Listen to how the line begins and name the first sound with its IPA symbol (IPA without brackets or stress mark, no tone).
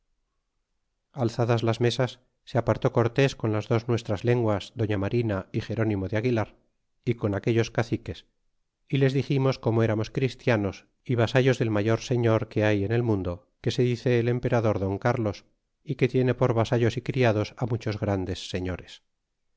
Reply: a